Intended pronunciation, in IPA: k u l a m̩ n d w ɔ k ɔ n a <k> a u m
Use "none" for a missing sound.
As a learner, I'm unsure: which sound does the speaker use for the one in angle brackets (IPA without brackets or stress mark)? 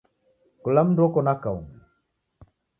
k